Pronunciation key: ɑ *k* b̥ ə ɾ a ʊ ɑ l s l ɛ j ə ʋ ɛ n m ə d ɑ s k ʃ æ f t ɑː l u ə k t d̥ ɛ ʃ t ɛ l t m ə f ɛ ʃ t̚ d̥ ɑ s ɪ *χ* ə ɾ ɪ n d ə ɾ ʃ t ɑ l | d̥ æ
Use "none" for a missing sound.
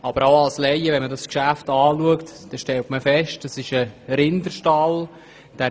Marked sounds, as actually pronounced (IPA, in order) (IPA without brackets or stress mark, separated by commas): none, ʃ